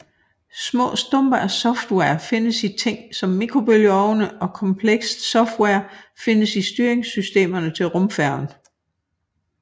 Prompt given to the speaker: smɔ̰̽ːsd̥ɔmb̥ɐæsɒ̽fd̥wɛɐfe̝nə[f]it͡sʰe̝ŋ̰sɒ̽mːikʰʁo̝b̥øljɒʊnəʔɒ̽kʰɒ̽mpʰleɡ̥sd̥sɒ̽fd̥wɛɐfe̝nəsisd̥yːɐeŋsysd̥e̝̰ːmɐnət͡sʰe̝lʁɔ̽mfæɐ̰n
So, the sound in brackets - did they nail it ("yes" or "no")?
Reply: no